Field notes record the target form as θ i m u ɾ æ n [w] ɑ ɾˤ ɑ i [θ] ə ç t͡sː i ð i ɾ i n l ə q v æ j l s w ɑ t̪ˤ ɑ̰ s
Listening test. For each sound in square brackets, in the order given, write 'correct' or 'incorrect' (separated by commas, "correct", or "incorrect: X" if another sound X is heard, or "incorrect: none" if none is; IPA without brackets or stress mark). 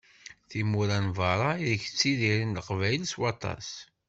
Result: incorrect: v, incorrect: ð